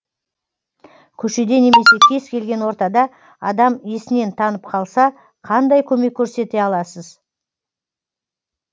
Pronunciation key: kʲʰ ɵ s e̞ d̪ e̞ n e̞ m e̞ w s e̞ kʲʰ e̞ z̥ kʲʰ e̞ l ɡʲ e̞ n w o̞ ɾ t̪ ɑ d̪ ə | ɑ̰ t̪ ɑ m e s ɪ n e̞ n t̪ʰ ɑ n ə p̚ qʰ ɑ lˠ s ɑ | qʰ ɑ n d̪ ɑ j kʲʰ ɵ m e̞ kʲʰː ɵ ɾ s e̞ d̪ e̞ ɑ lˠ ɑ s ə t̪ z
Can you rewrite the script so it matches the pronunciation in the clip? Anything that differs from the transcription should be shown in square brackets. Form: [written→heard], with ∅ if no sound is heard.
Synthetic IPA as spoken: kʲʰ ɵ [s→ʃ] e̞ d̪ e̞ n e̞ m e̞ [w→∅] s e̞ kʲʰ e̞ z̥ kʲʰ e̞ l ɡʲ e̞ n w o̞ ɾ t̪ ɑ d̪ [ə→ɑ] | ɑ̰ [t̪→d̪] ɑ m e s ɪ n e̞ n t̪ʰ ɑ n ə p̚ qʰ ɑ lˠ s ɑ | qʰ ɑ n d̪ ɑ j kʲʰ ɵ m e̞ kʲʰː ɵ ɾ s e̞ [d̪→t̪] e̞ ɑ lˠ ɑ s ə [t̪→∅] z